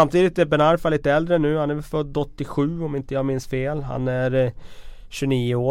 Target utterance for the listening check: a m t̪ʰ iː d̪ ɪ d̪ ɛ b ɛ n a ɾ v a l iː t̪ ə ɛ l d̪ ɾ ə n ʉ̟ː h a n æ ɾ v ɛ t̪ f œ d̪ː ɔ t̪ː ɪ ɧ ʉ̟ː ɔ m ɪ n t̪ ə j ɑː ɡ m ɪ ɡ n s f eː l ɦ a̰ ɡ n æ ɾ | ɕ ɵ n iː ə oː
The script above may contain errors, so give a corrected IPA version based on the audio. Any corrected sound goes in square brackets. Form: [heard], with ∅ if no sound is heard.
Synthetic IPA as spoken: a m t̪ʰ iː d̪ ɪ [t̪] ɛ b ɛ n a ɾ [f] a l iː t̪ ə ɛ l d̪ ɾ ə n ʉ̟ː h a n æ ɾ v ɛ [∅] f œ d̪ː ɔ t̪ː ɪ ɧ ʉ̟ː ɔ m ɪ n t̪ ə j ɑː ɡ m ɪ [∅] n s f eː l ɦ a̰ [∅] n æ ɾ | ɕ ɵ n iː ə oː